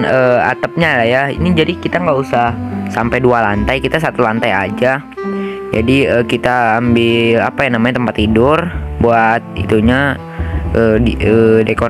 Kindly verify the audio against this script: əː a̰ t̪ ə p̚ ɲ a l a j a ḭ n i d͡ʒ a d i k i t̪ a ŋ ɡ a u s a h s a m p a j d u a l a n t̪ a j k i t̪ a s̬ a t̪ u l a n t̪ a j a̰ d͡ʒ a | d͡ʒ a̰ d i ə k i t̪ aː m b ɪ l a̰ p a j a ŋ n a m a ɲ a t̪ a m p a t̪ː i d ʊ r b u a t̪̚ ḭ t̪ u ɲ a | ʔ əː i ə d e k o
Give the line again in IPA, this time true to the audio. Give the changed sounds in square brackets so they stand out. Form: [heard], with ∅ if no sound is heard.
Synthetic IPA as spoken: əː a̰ t̪ ə p̚ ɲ a l a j a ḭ n i d͡ʒ a d i k i t̪ a ŋ ɡ a u s a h s a m p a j d u a l a n t̪ a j k i t̪ a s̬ a t̪ u l a n t̪ a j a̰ d͡ʒ a | d͡ʒ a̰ d i ə k i t̪ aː m b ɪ l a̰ p a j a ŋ n a m a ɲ a t̪ [ə] m p a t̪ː i d ʊ r b u a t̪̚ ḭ t̪ u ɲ a | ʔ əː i ə d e k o